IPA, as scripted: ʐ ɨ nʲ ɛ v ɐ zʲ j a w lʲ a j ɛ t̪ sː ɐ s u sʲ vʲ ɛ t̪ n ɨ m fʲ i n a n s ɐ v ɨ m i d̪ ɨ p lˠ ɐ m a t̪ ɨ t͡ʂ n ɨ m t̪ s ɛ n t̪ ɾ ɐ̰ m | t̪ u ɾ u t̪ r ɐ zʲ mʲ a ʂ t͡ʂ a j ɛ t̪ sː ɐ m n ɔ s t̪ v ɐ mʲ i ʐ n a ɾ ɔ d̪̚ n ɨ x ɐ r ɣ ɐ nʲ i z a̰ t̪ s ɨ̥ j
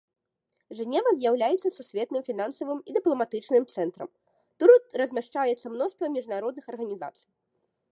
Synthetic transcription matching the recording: ʐ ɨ nʲ ɛ v ɐ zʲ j a w lʲ a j ɛ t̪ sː ɐ s u sʲ vʲ ɛ t̪ n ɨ m fʲ i n a n s ɐ v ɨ m i d̪ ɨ p lˠ ɐ m a t̪ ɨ t͡ʂ n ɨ m t̪ s ɛ n t̪ ɾ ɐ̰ m | t̪ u ɾ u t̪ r ɐ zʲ mʲ a ʂ t͡ʂ a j ɛ t̪ sː ɐ m n ɔ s t̪ v ɐ mʲ i ʐ n a ɾ ɔ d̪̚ n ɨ x ɐ r ɣ ɐ nʲ i z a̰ t̪ s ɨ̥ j